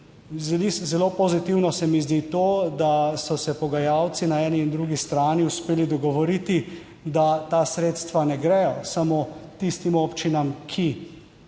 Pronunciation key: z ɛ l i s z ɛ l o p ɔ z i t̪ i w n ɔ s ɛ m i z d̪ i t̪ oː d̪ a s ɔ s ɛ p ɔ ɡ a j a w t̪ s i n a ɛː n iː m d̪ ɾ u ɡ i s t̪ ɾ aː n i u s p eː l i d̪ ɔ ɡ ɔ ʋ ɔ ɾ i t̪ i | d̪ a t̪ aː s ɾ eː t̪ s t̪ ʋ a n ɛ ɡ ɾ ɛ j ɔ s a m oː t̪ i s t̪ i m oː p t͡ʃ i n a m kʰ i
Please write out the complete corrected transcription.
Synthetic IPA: z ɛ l i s z ɛ l o p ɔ z i t̪ i w n ɔ s ɛ m i z d̪ i t̪ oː d̪ a s ɔ s ɛ p ɔ ɡ a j a w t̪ s i n a ɛː n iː n d̪ ɾ u ɡ i s t̪ ɾ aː n i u s p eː l i d̪ ɔ ɡ ɔ ʋ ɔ ɾ i t̪ i | d̪ a t̪ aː s ɾ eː t̪ s t̪ ʋ a n ɛ ɡ ɾ ɛ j ɔ s a m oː t̪ i s t̪ i m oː p t͡ʃ i n a m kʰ i